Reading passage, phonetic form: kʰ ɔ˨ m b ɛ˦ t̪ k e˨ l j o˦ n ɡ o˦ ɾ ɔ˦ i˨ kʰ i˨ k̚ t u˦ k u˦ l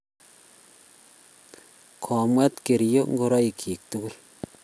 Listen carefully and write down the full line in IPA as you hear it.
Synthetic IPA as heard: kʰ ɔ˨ m w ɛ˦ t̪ k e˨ ɾ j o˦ ŋ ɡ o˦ ɾ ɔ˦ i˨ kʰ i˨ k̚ t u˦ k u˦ l

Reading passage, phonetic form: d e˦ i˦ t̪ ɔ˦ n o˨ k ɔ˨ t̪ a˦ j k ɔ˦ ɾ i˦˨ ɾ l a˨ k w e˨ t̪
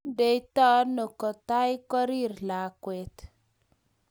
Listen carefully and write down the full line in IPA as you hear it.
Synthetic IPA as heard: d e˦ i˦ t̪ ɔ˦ n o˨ k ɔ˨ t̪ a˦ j k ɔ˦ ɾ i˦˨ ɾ l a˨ k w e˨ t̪

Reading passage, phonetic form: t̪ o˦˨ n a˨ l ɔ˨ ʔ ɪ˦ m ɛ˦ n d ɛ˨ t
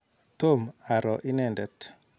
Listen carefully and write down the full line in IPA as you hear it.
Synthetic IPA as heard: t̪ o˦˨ m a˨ ɾ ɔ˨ ʔ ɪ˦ n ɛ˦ n d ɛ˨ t

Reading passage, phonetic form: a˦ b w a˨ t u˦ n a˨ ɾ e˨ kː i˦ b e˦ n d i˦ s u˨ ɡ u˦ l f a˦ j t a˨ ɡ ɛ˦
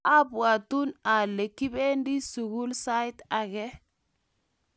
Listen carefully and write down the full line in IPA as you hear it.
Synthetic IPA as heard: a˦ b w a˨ t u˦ n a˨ l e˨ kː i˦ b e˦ n d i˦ s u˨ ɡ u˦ l s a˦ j t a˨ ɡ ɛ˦

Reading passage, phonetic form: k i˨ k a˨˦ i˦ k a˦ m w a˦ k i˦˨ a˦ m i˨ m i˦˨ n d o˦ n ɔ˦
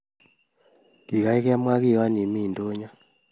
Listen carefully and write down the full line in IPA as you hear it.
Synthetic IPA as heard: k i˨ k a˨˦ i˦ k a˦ m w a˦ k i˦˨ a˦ n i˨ m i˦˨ n d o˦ ɲ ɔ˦

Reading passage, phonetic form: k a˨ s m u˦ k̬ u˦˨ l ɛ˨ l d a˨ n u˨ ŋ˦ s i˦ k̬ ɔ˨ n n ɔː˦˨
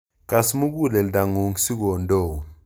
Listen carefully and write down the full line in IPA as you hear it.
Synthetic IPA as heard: k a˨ s m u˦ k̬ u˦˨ l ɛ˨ l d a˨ ŋ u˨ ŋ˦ s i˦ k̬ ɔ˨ n d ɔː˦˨

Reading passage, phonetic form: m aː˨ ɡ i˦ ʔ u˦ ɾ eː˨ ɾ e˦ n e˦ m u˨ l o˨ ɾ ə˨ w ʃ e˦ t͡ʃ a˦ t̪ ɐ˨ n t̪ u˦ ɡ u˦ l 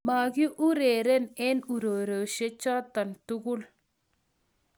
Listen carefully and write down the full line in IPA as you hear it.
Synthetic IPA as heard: m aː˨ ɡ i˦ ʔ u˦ ɾ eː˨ ɾ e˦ n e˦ n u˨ ɾ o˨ ɾ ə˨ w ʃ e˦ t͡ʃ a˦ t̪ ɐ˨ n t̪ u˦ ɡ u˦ l

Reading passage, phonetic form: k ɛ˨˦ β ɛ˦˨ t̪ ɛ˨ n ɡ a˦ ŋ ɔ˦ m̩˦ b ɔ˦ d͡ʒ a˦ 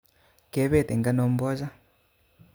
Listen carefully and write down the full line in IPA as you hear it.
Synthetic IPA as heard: k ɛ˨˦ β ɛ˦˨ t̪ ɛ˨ ŋ ɡ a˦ n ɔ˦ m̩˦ b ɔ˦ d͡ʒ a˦

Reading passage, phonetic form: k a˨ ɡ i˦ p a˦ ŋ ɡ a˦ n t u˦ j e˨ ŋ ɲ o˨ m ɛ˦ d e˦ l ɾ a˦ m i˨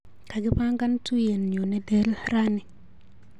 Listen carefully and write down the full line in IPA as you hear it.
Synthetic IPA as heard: k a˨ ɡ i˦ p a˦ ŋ ɡ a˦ n t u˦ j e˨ n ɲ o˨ n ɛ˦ d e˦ l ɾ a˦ n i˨

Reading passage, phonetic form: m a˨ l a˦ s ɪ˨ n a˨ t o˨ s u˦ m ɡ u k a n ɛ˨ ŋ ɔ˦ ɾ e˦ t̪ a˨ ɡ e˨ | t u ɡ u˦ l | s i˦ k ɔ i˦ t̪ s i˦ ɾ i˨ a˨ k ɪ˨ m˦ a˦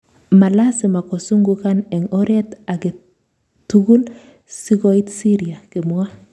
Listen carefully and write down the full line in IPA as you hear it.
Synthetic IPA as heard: m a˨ l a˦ s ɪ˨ m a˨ k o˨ s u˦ ŋ ɡ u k a n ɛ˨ ŋ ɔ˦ ɾ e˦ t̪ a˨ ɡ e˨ | t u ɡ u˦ l | s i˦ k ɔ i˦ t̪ s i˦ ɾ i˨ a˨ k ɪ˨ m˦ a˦

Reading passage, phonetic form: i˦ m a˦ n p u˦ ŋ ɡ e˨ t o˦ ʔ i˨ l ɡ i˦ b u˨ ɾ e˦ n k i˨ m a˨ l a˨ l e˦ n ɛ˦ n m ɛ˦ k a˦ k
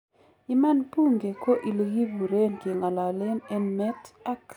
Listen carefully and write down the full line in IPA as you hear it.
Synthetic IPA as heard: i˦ m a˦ n p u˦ ŋ ɡ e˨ k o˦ ʔ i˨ l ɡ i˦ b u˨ ɾ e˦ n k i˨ ŋ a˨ l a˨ l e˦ n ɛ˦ n m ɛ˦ t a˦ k

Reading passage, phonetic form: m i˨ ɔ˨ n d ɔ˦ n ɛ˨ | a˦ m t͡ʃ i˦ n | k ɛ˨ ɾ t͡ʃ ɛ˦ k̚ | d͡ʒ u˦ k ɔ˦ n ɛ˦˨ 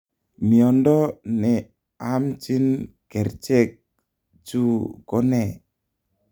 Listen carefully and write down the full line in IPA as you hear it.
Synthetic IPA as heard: m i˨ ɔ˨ n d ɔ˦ n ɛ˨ | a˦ m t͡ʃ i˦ n | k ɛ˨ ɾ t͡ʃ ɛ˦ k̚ | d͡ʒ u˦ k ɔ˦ n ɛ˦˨

